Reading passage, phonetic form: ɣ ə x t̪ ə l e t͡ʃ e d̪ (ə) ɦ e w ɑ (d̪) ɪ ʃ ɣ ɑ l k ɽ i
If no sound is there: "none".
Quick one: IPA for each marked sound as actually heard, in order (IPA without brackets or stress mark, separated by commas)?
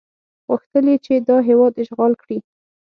ɑ, d̪